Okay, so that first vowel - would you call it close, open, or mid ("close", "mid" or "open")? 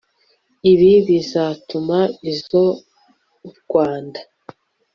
close